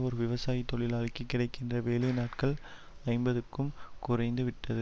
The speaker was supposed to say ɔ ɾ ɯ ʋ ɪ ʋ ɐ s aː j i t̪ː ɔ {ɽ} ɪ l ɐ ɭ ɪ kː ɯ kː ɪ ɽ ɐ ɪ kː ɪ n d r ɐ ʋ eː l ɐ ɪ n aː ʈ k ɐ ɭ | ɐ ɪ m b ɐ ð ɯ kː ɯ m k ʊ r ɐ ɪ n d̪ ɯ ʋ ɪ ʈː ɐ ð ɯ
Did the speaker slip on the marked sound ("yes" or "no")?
yes